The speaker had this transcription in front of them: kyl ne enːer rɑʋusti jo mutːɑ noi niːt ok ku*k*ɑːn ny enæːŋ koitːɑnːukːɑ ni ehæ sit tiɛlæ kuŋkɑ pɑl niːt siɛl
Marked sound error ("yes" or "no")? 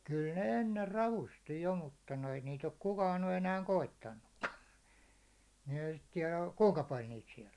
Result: no